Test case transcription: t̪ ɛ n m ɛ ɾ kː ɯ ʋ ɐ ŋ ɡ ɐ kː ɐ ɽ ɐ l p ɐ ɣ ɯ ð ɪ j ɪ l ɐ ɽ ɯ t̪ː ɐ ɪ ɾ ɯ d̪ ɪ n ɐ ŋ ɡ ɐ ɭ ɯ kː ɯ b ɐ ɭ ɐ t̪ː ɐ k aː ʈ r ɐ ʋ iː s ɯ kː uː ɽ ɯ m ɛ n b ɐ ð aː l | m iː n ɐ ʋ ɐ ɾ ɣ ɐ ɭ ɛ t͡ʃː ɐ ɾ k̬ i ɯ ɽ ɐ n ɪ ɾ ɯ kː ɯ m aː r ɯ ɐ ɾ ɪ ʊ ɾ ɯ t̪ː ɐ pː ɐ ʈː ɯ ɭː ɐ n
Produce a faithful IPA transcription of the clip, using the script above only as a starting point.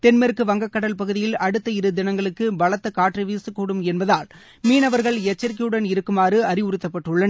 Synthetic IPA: t̪ ɛ n m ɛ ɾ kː ɯ ʋ ɐ ŋ ɡ ɐ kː ɐ ɽ ɐ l p ɐ ɣ ɯ ð ɪ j ɪ l ɐ ɽ ɯ t̪ː ɐ ɪ ɾ ɯ d̪ ɪ n ɐ ŋ ɡ ɐ ɭ ɯ kː ɯ b ɐ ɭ ɐ t̪ː ɐ k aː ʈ r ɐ ʋ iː s ɯ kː uː ɽ ɯ m ɛ n b ɐ ð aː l | m iː n ɐ ʋ ɐ ɾ ɣ ɐ ɭ ɛ t͡ʃː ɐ ɾ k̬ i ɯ ɽ ɐ n ɪ ɾ ɯ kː ɯ m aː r ɯ ɐ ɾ ɪ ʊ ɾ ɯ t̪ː ɐ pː ɐ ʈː ɯ ɭː ɐ n